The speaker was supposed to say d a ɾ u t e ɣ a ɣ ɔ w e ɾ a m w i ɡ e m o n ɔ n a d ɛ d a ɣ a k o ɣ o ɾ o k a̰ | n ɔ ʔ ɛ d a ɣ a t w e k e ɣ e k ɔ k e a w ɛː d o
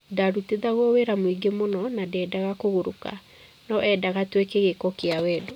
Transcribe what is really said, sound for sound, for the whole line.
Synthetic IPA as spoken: d a ɾ u t e ð a ɣ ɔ w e ɾ a m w i ɡ e m o n ɔ n a d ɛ d a ɣ a k o ɣ o ɾ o k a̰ | n ɔ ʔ ɛ d a ɣ a t w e k e ɣ e k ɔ k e a w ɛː d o